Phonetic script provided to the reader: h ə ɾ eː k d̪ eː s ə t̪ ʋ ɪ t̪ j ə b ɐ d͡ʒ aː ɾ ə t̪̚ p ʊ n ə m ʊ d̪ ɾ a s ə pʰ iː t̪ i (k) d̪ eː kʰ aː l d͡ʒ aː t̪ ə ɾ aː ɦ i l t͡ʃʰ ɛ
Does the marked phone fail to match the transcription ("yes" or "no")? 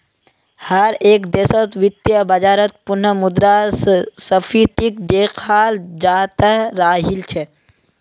no